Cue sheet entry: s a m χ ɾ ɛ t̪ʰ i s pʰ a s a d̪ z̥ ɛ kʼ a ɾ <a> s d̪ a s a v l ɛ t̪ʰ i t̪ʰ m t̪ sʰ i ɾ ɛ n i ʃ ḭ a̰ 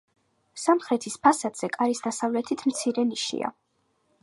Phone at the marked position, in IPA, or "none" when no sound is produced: i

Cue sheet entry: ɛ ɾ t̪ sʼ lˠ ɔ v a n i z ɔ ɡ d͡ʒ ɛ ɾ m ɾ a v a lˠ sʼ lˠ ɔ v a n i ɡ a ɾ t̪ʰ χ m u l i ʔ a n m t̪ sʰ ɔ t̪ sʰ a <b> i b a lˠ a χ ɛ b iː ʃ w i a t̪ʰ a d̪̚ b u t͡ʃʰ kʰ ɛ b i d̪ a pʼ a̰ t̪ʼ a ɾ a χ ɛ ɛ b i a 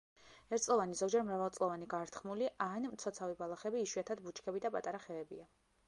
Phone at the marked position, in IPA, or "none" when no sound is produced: v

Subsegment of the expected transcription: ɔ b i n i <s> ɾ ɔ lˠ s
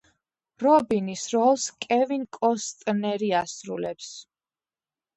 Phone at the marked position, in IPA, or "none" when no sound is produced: s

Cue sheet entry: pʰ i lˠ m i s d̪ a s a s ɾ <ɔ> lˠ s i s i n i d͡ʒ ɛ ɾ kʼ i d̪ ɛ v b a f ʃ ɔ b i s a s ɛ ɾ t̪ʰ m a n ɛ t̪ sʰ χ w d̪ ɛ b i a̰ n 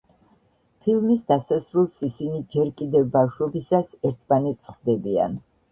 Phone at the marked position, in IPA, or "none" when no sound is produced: u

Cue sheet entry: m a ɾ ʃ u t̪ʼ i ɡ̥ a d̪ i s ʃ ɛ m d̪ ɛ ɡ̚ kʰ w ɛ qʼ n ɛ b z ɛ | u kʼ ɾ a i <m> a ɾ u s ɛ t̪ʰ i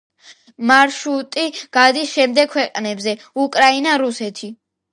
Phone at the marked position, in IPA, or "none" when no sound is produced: n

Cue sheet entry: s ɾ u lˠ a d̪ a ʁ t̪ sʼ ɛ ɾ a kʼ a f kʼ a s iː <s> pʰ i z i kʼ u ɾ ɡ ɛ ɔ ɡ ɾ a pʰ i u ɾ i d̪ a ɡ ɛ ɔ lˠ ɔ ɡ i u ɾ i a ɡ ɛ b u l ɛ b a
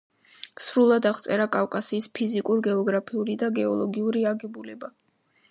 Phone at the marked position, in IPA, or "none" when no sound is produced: s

